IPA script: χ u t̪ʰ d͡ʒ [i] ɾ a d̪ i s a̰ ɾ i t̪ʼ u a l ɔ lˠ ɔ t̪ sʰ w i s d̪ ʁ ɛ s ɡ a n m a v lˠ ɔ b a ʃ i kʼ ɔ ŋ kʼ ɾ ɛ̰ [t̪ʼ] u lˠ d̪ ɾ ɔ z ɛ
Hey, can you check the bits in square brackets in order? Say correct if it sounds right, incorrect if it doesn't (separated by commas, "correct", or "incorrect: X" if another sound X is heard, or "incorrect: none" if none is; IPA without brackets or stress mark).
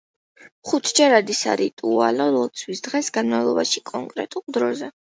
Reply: incorrect: ɛ, correct